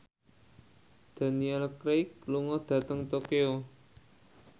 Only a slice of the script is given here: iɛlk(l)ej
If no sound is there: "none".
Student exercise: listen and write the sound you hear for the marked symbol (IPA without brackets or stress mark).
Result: ɾ